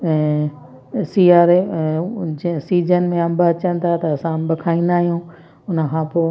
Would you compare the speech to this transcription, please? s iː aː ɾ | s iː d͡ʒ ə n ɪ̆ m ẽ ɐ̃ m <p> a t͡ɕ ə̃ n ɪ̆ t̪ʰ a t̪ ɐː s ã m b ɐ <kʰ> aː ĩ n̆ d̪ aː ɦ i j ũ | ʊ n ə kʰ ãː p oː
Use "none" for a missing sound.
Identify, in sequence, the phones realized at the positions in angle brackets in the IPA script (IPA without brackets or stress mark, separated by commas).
b, kʰ